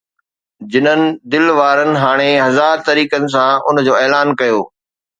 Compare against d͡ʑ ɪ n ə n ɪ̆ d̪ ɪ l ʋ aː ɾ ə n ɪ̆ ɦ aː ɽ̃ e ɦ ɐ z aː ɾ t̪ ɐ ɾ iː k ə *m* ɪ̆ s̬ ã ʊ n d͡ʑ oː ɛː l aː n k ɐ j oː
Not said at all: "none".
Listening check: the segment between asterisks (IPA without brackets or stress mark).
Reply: n